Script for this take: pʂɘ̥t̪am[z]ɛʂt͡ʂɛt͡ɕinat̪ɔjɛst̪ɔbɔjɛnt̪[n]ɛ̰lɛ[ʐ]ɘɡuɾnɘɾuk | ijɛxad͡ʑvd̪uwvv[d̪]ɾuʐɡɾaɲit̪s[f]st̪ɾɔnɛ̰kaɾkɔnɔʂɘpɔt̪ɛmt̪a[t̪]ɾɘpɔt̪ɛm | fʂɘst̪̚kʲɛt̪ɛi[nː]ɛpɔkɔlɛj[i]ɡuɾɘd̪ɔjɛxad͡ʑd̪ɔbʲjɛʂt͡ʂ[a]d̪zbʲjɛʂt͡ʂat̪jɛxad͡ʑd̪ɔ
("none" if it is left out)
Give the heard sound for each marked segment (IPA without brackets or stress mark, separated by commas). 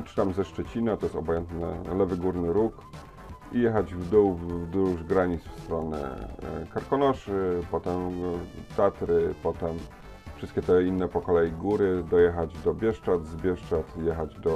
z, n, v, d̪, f, t̪, nː, i, a